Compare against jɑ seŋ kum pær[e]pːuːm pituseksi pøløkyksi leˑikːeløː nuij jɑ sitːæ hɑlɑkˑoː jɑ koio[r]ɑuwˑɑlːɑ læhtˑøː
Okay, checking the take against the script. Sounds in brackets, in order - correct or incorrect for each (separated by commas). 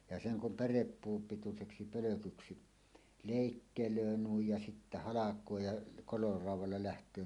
correct, correct